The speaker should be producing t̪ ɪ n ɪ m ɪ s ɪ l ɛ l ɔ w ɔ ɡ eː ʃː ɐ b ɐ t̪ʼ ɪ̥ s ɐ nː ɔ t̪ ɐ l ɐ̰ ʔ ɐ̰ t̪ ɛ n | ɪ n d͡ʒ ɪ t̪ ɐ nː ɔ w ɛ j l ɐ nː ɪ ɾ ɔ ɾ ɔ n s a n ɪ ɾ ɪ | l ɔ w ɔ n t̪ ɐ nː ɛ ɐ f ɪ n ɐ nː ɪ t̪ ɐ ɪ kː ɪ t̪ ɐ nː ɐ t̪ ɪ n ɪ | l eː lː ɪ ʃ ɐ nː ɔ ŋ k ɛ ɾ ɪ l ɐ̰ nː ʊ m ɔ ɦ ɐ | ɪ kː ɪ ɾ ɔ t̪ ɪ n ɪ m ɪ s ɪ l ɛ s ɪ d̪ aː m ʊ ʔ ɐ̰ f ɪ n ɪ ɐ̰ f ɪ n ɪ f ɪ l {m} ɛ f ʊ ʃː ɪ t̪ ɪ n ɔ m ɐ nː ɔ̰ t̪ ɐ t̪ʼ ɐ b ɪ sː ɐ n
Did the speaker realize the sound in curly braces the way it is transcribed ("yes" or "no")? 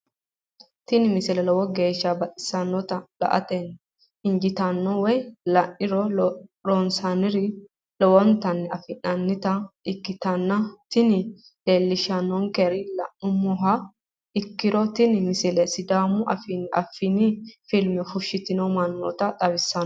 yes